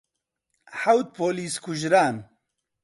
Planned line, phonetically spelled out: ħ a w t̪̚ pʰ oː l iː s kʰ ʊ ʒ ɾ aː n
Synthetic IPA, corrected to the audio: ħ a w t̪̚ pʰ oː l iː s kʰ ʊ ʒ ɾ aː n